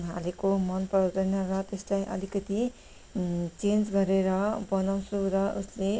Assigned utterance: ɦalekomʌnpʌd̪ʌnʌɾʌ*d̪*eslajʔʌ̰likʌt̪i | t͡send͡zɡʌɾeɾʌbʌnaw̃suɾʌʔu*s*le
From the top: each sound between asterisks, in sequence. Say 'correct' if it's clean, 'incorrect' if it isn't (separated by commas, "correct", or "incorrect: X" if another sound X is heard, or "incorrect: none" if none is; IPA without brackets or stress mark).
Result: incorrect: t̪, correct